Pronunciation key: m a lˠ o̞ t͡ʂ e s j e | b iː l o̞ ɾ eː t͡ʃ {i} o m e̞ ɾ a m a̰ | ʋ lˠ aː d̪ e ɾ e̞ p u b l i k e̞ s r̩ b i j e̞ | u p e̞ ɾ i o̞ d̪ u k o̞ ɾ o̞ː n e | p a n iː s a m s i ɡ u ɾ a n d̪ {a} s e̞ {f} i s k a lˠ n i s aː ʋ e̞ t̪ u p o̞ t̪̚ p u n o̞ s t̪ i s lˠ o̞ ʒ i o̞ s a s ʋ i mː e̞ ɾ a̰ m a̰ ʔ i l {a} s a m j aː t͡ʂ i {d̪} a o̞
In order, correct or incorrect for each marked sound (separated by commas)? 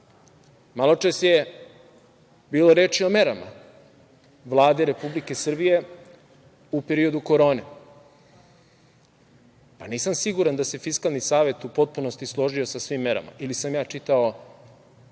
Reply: correct, correct, correct, incorrect, incorrect